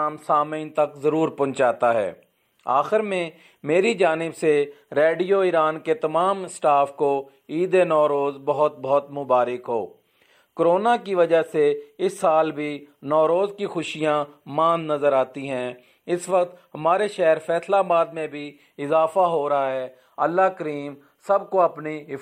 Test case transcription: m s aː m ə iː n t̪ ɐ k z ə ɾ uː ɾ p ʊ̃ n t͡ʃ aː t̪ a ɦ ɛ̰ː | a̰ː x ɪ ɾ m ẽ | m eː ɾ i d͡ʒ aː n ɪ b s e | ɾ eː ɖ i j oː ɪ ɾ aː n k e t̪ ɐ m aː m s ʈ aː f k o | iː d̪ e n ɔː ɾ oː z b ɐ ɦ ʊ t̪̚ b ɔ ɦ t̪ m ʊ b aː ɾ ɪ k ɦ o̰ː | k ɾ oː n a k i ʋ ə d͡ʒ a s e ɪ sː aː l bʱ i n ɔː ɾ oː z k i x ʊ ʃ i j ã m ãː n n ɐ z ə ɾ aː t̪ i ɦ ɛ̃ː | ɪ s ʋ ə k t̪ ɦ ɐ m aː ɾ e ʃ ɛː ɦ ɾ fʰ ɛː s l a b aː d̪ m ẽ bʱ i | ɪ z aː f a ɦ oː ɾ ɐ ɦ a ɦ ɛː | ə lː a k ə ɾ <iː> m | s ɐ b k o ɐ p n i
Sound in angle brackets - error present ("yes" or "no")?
no